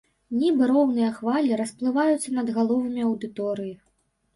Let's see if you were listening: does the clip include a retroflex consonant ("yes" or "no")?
no